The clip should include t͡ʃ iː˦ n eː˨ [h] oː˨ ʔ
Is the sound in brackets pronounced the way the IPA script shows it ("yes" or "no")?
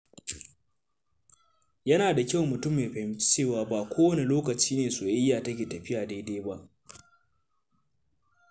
no